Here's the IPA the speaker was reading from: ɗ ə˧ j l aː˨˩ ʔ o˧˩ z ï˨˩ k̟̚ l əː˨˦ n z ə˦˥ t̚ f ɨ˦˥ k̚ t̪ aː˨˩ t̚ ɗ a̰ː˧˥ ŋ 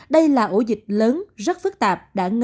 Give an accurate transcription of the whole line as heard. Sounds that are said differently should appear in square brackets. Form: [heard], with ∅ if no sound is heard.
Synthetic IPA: ɗ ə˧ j l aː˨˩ ʔ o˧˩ z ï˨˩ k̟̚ l əː˨˦ n z ə˦˥ t̚ f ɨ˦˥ k̚ t̪ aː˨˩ [p̚] ɗ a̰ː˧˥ ŋ